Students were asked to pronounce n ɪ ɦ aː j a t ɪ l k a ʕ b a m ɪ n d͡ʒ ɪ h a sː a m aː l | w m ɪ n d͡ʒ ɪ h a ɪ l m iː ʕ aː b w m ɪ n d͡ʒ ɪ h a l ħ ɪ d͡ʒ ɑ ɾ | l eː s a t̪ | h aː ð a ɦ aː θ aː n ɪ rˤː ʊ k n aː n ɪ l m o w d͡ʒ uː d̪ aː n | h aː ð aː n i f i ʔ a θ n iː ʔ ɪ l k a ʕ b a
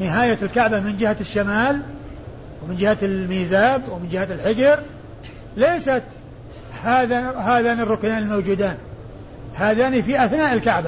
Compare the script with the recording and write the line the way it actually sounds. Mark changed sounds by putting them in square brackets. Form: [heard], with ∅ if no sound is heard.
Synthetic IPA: n ɪ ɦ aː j a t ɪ l k a ʕ b a m ɪ n d͡ʒ ɪ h a [ʃː] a m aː l | w m ɪ n d͡ʒ ɪ h a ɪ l m iː [z] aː b w m ɪ n d͡ʒ ɪ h a l ħ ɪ d͡ʒ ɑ ɾ | l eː s a t̪ | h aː ð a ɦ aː [ð] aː n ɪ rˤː ʊ k n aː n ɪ l m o w d͡ʒ uː d̪ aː n | h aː ð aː n i f i ʔ a θ n [aː] ʔ ɪ l k a ʕ b a